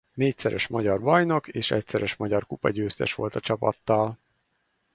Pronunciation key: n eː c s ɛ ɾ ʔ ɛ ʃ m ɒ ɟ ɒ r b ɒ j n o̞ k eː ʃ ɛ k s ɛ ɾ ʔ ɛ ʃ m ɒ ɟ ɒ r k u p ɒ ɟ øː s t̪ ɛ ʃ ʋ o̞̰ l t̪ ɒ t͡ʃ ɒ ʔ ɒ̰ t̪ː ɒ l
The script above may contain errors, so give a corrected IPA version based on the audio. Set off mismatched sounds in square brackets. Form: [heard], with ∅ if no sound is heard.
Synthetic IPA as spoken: n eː c s ɛ ɾ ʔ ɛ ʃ m ɒ ɟ ɒ r b ɒ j n o̞ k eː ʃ ɛ [c] s ɛ ɾ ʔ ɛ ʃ m ɒ ɟ ɒ r k u p ɒ ɟ øː s t̪ ɛ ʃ ʋ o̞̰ l t̪ ɒ t͡ʃ ɒ [p] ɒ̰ t̪ː ɒ l